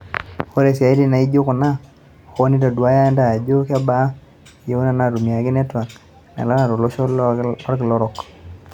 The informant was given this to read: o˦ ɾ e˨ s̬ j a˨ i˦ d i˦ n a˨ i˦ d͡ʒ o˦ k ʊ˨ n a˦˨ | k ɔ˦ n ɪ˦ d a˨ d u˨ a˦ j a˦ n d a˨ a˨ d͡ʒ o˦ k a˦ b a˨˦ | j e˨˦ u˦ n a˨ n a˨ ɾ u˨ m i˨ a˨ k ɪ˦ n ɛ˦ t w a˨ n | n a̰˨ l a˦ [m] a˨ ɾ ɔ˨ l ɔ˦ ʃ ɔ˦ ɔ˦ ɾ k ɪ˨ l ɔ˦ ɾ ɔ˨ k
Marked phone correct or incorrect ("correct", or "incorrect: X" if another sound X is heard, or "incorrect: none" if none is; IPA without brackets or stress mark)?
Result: incorrect: n